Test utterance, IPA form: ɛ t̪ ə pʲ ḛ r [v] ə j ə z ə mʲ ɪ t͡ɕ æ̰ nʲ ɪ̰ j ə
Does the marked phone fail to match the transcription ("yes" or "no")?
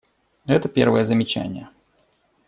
no